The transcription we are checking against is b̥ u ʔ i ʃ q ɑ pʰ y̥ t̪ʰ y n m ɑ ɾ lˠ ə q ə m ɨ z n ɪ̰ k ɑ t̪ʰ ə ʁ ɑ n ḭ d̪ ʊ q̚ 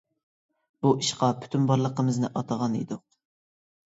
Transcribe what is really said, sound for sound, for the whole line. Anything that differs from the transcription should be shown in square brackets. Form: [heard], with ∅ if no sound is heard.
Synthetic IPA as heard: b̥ u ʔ i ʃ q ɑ pʰ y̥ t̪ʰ y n [b] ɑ ɾ lˠ ə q ə m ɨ z n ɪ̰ [ʔ] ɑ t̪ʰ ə ʁ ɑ n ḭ d̪ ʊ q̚